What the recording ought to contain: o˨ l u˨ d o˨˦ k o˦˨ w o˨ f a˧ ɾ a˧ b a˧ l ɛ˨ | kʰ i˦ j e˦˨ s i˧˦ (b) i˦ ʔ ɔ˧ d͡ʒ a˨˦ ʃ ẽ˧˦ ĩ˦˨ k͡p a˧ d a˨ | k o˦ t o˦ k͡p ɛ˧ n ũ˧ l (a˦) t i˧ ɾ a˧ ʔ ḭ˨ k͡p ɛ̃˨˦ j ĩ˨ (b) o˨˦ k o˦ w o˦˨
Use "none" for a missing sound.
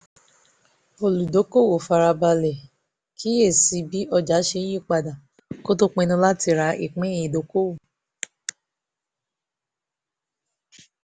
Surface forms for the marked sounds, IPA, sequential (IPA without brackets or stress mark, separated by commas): b, a˦, d